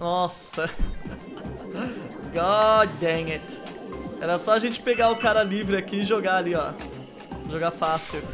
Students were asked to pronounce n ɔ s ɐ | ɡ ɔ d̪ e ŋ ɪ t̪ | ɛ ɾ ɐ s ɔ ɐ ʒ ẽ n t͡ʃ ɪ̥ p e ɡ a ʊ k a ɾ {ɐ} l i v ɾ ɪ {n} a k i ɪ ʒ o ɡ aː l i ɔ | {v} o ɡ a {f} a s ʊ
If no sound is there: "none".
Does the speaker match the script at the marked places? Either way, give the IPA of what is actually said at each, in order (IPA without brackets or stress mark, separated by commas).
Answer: ɐ, none, ʒ, f